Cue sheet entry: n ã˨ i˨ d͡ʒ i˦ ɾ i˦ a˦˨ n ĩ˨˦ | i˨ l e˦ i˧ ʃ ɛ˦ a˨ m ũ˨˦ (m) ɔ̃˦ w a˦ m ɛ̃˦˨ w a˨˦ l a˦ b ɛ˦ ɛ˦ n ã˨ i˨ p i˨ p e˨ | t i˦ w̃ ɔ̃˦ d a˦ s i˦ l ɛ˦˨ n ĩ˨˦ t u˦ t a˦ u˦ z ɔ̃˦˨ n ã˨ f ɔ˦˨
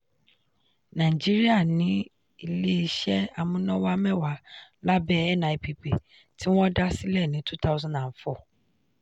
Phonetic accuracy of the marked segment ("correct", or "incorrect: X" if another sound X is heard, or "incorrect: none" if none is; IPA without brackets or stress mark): incorrect: n